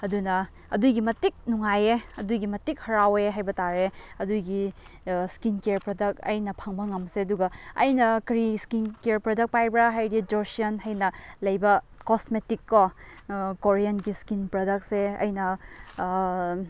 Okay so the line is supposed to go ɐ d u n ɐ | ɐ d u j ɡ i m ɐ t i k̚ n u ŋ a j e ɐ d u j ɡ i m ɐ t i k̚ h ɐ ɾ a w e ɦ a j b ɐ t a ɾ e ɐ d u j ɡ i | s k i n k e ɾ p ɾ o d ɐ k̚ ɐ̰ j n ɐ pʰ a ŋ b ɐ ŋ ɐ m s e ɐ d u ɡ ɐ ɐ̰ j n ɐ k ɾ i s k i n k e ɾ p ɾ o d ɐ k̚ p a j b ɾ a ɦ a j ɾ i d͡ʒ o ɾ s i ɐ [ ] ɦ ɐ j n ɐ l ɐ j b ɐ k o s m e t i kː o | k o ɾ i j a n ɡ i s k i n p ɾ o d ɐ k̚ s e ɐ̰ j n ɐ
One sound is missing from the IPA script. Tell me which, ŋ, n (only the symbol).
n